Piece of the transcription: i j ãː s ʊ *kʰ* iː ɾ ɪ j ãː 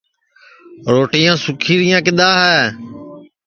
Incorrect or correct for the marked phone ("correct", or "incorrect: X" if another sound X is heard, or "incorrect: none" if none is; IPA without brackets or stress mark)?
correct